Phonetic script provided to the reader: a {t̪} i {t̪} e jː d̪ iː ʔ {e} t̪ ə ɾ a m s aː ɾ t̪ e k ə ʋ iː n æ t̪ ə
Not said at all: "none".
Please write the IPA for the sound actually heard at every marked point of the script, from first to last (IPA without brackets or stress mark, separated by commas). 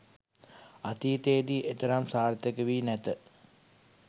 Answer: t̪, t̪, e